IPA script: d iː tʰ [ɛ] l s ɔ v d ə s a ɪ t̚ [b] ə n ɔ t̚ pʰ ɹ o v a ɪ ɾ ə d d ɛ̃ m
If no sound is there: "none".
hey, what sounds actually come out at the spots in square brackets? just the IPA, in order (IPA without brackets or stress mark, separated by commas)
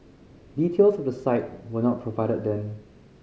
e, w